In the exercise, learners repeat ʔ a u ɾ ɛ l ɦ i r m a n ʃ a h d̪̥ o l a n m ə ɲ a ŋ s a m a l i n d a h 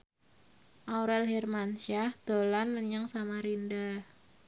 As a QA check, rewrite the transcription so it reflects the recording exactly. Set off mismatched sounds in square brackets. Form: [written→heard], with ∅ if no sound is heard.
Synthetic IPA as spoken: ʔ a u ɾ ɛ l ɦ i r m a n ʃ a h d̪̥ o l a n m ə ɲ a ŋ s a m a [l→ɾ] i n d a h